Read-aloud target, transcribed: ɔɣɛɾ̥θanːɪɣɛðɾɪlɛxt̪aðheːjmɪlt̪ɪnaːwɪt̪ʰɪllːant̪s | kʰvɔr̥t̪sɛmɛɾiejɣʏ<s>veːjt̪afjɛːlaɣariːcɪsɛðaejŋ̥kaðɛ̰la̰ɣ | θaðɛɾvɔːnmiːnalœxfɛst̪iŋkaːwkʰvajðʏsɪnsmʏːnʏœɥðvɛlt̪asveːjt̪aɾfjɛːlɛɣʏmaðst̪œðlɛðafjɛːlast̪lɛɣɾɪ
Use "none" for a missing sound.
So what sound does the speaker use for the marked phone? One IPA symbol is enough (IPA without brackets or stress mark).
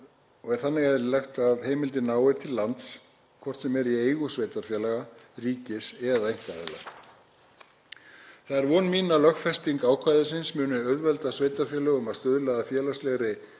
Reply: s